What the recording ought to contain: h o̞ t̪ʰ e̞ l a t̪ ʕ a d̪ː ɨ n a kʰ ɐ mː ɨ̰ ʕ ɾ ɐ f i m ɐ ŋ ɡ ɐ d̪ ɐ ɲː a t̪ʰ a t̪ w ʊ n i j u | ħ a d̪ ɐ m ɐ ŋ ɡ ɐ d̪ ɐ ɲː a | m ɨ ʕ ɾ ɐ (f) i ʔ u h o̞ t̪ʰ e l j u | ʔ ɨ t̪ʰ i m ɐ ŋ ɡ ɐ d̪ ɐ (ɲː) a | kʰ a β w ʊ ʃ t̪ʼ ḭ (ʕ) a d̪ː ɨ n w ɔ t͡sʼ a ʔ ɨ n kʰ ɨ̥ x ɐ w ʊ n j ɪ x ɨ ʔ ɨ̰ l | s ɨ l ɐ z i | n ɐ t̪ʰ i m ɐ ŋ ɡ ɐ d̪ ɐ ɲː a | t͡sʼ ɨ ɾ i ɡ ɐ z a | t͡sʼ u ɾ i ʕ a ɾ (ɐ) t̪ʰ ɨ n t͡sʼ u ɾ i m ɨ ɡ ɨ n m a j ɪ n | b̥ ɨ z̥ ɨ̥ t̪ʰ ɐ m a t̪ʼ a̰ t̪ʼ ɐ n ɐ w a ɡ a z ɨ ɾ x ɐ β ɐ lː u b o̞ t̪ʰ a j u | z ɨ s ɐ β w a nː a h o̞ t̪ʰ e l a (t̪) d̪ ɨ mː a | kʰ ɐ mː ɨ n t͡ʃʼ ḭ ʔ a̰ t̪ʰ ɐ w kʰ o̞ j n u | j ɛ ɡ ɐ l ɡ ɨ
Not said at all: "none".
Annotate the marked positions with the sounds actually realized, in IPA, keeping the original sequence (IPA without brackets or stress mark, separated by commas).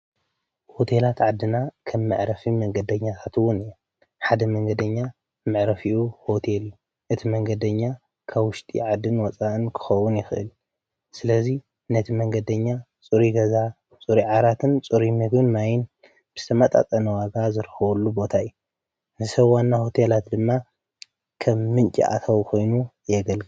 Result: f, ɲː, ʕ, a, t̪